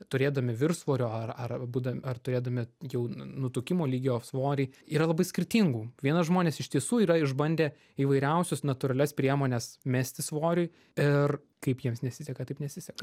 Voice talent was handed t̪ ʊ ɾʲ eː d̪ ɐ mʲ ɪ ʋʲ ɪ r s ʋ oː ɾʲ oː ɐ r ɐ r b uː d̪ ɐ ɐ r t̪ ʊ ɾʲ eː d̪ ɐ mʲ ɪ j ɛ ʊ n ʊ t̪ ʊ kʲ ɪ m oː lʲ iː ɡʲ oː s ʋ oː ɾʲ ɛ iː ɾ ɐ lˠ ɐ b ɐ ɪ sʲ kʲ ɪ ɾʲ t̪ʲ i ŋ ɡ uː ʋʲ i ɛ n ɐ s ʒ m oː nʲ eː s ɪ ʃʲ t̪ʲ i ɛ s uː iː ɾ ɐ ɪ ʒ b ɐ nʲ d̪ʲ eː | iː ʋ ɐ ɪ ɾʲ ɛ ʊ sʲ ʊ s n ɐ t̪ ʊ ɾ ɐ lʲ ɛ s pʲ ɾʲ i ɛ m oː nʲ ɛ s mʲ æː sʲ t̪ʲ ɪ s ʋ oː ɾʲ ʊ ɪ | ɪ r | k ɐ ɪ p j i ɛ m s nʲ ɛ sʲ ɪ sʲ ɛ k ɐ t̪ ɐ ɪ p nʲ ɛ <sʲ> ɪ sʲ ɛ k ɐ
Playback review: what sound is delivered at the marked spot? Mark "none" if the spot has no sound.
sʲ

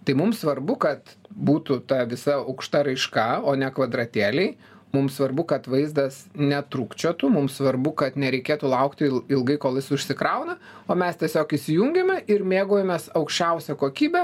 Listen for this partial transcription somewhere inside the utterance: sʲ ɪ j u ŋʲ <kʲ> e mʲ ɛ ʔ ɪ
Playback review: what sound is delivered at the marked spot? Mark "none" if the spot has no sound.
ɡʲ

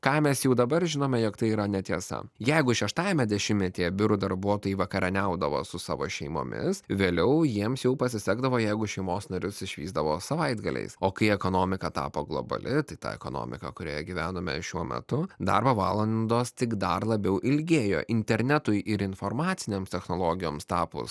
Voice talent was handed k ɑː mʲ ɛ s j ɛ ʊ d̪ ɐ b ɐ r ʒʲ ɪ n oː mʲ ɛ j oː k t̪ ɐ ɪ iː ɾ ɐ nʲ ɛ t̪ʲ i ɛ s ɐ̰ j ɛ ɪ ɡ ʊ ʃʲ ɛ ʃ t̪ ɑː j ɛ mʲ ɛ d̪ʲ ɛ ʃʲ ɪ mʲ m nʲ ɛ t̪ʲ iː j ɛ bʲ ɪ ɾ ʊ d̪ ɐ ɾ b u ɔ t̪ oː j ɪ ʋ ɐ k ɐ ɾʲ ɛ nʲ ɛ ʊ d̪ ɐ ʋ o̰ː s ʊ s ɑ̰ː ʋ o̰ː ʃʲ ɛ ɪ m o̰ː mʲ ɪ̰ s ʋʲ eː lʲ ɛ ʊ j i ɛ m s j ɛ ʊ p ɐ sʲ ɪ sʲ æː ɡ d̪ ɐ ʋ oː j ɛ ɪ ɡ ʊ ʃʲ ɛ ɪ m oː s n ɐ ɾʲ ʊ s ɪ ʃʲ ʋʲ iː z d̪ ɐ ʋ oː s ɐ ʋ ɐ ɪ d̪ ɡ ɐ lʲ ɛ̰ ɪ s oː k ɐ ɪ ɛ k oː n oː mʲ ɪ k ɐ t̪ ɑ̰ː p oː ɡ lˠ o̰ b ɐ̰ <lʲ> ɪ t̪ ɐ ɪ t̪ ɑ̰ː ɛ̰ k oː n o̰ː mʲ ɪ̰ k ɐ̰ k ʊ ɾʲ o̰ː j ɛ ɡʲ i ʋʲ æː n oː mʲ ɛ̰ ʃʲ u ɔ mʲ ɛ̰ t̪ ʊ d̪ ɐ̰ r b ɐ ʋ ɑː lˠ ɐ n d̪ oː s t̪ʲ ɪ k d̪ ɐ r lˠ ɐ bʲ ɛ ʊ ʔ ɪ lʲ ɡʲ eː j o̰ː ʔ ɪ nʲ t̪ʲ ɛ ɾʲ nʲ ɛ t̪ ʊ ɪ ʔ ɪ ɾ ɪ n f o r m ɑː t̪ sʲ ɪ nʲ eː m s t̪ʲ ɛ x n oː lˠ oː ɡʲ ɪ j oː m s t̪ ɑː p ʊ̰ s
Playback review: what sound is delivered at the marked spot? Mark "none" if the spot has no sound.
lʲ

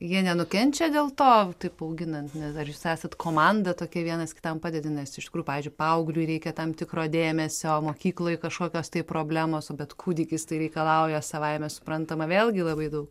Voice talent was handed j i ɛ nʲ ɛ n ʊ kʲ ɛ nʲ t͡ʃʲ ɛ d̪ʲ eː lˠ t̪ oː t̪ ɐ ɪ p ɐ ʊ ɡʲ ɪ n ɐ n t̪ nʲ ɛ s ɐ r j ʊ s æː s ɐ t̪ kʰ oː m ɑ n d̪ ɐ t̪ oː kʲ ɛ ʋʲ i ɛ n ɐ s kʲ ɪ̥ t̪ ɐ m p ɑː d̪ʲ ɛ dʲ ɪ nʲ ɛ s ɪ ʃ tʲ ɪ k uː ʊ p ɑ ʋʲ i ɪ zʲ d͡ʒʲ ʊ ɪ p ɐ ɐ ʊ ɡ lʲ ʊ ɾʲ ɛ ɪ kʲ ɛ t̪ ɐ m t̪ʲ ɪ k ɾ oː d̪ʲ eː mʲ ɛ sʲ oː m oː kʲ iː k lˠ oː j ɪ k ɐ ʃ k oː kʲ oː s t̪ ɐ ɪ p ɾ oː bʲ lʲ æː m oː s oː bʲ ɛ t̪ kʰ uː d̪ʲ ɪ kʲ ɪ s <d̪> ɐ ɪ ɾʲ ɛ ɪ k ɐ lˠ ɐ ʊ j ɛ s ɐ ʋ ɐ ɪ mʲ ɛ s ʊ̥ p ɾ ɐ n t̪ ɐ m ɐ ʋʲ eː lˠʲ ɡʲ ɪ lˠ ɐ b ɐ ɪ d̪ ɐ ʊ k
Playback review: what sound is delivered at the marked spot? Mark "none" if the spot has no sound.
t̪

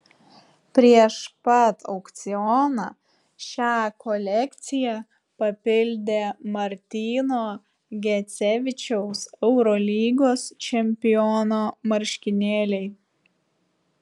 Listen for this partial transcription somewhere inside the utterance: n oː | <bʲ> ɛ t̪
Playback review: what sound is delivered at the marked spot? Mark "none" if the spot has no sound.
ɡʲ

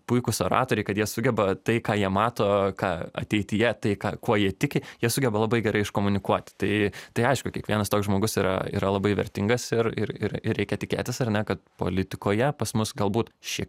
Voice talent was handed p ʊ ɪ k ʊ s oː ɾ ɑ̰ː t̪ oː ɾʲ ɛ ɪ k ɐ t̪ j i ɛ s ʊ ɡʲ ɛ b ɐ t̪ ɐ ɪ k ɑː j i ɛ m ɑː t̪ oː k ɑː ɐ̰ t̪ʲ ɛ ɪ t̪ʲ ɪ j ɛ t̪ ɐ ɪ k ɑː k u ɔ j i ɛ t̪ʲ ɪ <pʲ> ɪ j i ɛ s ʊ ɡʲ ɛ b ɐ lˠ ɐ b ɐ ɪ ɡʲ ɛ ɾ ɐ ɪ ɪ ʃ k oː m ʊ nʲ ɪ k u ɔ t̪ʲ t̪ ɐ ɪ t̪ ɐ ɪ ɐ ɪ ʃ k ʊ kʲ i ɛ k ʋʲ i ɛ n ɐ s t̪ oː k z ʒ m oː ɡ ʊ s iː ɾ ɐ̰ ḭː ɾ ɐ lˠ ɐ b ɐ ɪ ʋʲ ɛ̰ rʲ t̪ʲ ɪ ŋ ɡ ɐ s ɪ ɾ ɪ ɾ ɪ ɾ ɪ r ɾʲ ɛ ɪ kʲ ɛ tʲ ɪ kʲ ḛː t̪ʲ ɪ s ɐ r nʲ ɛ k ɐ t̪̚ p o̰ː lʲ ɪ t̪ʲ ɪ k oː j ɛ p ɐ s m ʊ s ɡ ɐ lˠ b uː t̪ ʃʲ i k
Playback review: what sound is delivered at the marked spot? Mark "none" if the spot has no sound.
kʲ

